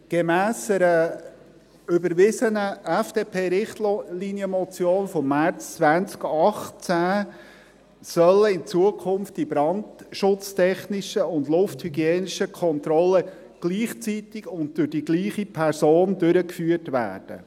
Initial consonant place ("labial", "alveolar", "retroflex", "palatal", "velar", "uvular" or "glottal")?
velar